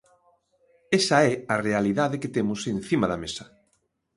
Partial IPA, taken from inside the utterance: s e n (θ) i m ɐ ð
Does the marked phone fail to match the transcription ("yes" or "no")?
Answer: no